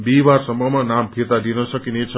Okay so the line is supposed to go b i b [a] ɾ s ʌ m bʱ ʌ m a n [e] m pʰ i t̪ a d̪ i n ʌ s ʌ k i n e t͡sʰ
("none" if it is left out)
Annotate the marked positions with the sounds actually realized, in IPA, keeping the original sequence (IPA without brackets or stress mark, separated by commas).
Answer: a, a